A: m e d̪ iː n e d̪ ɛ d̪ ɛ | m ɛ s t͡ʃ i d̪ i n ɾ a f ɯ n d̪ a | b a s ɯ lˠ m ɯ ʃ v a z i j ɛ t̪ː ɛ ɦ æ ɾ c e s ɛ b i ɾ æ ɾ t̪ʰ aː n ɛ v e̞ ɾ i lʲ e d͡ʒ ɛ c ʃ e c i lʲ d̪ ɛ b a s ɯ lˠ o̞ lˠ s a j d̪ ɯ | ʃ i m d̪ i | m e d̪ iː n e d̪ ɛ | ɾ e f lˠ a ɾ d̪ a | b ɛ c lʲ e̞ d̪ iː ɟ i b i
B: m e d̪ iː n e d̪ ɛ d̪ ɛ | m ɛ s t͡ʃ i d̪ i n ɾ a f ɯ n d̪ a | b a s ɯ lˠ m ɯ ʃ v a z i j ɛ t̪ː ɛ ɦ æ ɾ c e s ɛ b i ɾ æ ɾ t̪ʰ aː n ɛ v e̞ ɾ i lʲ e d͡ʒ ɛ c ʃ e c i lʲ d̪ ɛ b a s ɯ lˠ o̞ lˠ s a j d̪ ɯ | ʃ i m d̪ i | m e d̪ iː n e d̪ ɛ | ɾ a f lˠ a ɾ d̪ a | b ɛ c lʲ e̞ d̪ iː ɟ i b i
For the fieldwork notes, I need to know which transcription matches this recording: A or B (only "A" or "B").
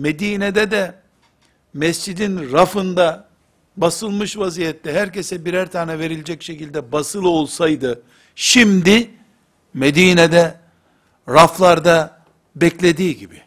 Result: B